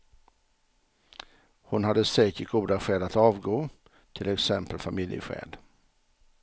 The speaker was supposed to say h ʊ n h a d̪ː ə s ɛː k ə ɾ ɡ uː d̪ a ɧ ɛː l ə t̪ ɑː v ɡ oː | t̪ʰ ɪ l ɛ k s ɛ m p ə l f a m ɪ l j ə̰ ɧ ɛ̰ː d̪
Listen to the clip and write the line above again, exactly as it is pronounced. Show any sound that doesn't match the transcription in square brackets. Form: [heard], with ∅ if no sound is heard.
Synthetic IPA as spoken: h ʊ n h a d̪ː ə s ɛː k ə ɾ ɡ uː d̪ a ɧ ɛː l [a] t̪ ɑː v ɡ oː | t̪ʰ ɪ l ɛ k s ɛ m p ə l f a m ɪ l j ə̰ ɧ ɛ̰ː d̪